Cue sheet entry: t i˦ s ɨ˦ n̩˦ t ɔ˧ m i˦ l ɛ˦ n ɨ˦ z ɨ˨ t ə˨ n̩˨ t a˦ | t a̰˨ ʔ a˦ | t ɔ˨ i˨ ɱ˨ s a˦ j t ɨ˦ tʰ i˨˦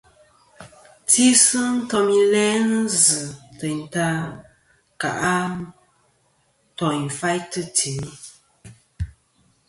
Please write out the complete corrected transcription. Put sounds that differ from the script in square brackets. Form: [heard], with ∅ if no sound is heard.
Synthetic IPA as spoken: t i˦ s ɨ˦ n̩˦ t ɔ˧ m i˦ l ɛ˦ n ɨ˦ z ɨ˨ t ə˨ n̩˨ t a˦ | [k] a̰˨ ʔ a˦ | t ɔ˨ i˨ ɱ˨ [f] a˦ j t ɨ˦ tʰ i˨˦